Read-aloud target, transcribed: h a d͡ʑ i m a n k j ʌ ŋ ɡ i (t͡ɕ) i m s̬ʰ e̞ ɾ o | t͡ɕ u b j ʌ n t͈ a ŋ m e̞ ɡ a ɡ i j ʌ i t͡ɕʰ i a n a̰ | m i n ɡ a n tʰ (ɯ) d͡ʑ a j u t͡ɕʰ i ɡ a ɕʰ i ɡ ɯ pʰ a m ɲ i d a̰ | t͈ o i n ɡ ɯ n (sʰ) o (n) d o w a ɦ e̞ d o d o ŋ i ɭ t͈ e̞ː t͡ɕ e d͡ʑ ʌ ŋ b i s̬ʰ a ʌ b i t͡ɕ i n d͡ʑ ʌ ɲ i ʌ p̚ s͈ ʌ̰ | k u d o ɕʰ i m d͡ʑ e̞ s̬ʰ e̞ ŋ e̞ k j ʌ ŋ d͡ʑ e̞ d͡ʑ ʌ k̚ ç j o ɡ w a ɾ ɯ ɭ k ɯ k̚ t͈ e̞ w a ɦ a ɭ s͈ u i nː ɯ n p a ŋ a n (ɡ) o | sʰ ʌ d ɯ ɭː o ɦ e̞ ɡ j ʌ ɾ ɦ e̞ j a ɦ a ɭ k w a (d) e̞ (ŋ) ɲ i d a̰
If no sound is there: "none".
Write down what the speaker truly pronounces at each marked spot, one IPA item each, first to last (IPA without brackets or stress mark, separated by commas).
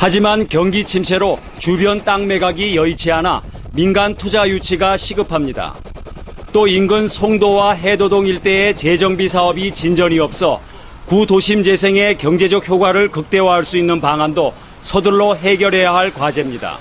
t͡ɕʰ, u, sʰ, ŋ, d, d͡ʑ, m